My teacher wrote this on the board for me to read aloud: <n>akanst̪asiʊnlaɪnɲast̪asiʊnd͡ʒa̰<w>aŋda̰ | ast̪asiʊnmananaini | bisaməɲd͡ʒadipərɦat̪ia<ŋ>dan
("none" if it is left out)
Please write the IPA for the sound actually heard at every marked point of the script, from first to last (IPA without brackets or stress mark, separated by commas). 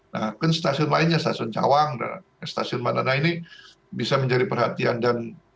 n, w, n